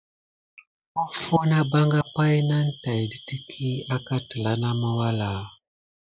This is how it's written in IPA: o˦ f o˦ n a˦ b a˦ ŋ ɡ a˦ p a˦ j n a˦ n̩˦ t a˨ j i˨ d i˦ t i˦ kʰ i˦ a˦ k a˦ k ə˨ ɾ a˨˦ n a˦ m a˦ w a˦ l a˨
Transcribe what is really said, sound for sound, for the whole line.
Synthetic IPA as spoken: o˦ f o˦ n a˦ b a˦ ŋ ɡ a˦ p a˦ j n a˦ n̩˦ t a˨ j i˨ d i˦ t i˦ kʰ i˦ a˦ k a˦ t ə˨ l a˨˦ n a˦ m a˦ w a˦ l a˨

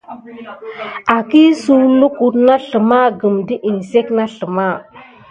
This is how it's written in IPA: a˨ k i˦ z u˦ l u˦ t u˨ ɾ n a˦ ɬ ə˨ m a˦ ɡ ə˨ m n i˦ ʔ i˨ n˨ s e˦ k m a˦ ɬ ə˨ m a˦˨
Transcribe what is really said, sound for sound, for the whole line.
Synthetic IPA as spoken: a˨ k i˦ s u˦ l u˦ k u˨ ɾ n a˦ ɬ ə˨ m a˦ ɡ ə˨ m d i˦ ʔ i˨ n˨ s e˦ k n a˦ ɬ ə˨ m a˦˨

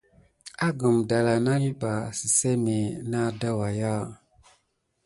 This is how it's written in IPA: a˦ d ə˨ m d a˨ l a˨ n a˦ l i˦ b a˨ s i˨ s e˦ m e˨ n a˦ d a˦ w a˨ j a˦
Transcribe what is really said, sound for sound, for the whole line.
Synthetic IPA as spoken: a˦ ɡ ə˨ m d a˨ l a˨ n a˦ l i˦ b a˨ s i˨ s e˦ m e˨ n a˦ d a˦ w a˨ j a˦

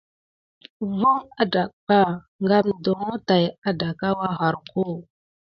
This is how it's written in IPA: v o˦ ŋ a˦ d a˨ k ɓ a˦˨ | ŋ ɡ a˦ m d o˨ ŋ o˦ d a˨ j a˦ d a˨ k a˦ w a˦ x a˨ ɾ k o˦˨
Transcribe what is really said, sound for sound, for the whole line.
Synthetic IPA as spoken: v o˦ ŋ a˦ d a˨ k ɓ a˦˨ | ŋ ɡ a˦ m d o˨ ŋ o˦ t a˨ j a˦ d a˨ k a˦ w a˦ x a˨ ɾ k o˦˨

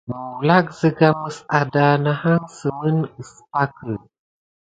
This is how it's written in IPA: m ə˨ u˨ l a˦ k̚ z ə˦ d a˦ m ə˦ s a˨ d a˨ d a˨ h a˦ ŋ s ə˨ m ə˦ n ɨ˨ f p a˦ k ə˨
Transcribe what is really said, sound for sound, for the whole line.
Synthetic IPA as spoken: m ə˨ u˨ l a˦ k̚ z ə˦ ɡ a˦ m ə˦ s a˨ d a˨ n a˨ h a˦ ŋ s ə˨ m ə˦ n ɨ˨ s p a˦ k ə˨

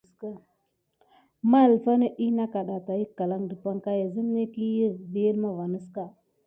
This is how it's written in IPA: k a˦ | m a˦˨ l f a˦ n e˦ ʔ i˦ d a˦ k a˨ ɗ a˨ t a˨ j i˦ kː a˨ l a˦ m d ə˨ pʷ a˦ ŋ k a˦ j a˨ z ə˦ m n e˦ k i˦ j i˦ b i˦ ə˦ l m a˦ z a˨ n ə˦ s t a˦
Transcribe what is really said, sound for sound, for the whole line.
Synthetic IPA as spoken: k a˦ | m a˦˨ l f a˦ n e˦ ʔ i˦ n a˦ k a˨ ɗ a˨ t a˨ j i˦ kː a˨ l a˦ ŋ d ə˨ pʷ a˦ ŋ k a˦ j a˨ z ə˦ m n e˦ k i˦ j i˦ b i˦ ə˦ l m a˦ v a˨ n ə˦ s k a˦

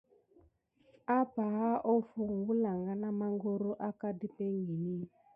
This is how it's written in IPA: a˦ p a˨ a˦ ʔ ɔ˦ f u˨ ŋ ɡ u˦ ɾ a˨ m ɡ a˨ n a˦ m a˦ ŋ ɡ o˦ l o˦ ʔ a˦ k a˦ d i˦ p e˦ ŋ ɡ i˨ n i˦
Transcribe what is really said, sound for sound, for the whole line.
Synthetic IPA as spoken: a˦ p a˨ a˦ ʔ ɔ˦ f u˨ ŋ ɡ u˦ l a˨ ŋ ɡ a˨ n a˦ m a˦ ŋ ɡ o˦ ɾ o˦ ʔ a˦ k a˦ d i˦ p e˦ ŋ ɡ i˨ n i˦

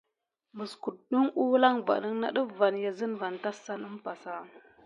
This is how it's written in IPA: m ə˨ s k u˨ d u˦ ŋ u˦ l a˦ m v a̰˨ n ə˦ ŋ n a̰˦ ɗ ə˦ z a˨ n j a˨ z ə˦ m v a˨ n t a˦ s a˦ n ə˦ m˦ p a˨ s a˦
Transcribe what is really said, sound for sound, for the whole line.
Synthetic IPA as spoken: m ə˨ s k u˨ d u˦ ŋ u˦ l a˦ ŋ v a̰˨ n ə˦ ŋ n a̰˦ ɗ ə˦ v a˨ n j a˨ z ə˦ n v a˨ n t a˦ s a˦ n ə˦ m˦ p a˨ s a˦

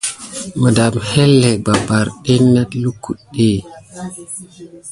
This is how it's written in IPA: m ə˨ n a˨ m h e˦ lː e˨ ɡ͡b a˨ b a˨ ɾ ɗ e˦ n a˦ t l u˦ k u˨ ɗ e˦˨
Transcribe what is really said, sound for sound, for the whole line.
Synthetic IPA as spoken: m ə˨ d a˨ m h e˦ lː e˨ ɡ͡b a˨ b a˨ ɾ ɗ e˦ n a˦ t l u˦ k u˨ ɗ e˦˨

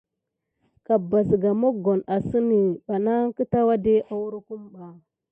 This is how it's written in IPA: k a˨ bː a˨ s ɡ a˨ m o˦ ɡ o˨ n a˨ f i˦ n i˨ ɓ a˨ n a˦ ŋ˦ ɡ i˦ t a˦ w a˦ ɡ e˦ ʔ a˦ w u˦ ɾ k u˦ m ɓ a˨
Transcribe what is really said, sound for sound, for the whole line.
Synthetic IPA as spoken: k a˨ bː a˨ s ɡ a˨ m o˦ ɡ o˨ n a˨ s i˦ n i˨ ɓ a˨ n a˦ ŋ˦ k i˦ t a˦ w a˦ d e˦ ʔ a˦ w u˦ ɾ k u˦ m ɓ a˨

